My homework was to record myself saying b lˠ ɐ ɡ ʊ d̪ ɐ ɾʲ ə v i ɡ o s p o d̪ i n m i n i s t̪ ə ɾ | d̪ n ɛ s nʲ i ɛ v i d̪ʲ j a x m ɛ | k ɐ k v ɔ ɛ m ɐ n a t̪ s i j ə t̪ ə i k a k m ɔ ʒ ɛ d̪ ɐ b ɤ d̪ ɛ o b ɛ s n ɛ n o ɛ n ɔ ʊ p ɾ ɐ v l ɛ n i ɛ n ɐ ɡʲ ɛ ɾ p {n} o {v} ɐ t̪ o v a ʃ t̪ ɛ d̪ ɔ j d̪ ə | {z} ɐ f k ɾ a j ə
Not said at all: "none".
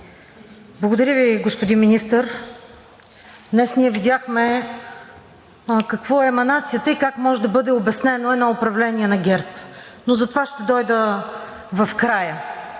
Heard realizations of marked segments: n, z, v

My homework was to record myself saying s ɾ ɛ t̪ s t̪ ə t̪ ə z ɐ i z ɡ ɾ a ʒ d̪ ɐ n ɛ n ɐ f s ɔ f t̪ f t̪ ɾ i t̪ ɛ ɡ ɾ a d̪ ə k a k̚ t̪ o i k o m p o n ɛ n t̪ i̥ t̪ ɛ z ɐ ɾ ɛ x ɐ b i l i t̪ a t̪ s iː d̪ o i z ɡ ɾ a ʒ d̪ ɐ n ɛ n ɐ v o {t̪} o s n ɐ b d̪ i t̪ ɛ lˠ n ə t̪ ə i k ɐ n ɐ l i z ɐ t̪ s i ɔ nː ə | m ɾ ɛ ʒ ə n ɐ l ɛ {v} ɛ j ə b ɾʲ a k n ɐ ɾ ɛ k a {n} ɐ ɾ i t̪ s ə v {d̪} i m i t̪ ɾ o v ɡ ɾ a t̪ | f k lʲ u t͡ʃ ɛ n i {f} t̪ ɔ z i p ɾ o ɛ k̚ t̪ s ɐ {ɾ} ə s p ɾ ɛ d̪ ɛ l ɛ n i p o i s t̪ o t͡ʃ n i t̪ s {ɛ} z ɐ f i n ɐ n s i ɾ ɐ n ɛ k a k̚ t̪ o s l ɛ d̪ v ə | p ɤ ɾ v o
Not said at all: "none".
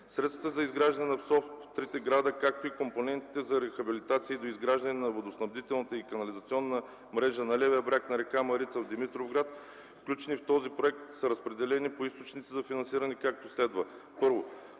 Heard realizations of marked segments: d̪, v, m, d̪, f, ɾ, i

